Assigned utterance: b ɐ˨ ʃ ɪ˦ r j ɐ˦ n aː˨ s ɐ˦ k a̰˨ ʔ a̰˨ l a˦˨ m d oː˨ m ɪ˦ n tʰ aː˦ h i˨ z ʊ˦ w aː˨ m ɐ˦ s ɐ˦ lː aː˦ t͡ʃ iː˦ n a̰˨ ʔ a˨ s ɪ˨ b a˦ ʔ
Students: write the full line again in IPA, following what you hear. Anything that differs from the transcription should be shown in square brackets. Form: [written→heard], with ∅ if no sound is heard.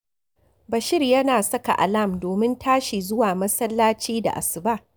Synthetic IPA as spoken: b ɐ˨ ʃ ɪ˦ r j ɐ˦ n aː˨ s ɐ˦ k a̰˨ ʔ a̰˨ l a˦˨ m d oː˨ m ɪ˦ n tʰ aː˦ [h→ʃ] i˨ z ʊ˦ w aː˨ m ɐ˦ s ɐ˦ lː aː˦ t͡ʃ iː˦ [n→d] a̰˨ ʔ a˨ s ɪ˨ b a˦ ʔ

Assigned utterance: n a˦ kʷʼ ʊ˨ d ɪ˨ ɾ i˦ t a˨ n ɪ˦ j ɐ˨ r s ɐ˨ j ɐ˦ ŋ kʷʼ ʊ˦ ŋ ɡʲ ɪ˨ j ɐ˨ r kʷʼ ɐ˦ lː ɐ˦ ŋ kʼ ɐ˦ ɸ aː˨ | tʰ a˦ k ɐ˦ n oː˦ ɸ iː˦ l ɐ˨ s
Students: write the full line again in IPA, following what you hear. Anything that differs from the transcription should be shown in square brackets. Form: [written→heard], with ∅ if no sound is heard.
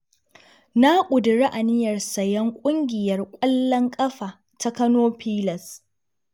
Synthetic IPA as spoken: n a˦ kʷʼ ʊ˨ d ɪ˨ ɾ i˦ [t→ʔ] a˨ n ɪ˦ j ɐ˨ r s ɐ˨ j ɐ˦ ŋ kʷʼ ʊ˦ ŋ ɡʲ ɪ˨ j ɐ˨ r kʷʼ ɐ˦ lː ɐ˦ ŋ kʼ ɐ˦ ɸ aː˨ | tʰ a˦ k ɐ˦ n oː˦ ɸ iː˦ l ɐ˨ s

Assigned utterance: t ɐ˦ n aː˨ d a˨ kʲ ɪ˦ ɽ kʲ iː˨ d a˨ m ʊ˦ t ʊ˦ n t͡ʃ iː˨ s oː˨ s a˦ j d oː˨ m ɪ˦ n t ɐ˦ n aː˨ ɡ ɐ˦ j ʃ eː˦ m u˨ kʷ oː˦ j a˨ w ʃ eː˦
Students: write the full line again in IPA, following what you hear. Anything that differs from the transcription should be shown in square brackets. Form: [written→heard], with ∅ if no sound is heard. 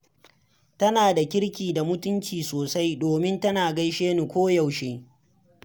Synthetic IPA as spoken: t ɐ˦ n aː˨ d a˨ kʲ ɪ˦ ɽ kʲ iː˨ d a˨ m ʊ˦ t ʊ˦ n t͡ʃ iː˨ s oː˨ s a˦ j d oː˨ m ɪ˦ n t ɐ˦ n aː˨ ɡ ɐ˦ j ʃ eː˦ [m→n] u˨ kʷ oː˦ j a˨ w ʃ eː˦

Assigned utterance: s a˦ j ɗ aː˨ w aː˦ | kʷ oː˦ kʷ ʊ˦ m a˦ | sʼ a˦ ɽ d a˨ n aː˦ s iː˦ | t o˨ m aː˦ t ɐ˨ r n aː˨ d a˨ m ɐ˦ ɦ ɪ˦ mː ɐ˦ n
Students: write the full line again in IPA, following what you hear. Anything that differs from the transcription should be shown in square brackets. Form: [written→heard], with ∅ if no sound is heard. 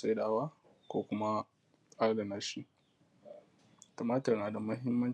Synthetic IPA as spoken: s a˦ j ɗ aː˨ w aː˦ | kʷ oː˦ kʷ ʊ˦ m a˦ | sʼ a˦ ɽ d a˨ n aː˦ [s→ʃ] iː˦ | t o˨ m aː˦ t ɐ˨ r n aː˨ d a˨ m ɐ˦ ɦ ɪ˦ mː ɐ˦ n

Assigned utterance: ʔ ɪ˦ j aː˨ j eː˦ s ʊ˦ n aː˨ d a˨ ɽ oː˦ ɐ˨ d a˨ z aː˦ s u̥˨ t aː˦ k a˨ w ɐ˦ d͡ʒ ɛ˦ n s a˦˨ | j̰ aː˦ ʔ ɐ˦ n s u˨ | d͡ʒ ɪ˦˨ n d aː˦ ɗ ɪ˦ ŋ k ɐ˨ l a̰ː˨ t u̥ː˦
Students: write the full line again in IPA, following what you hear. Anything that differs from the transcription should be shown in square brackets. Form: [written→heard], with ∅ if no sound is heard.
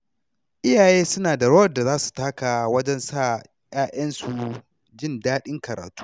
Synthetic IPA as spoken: ʔ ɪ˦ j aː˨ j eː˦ s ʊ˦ n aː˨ d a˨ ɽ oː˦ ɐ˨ d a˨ z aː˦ s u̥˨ t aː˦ k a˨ w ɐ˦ d͡ʒ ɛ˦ n s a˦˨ | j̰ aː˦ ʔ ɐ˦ n s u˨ | d͡ʒ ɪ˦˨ n d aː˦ ɗ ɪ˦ ŋ k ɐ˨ [l→ɾ] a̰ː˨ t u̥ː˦

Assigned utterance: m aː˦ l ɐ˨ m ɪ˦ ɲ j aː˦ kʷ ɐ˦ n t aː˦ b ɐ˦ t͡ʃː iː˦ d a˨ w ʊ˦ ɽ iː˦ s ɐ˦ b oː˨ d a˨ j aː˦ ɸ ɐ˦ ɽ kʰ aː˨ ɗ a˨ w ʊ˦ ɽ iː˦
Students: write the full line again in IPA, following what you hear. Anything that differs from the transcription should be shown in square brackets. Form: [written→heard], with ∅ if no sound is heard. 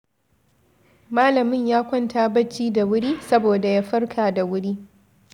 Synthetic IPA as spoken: m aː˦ l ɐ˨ m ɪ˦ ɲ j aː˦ kʷ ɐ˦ n t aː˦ b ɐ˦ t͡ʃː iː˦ d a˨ w ʊ˦ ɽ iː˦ s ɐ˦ b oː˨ d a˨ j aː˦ ɸ ɐ˦ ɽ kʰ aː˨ [ɗ→d] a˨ w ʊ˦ ɽ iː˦

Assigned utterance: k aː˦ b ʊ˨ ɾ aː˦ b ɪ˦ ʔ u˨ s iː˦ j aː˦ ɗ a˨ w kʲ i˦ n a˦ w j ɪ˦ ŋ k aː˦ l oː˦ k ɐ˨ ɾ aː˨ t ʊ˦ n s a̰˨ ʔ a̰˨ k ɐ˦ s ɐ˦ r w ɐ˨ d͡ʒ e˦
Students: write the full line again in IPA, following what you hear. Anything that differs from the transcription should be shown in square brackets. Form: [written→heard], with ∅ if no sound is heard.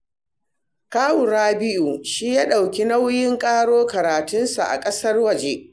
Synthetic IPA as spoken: k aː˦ [b→w] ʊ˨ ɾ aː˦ b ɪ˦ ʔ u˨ [s→ʃ] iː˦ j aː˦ ɗ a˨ w kʲ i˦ n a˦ w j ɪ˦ ŋ [k→kʼ] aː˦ [l→ɽ] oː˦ k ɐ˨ ɾ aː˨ t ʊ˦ n s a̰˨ ʔ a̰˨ [k→kʼ] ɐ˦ s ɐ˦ r w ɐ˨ d͡ʒ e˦

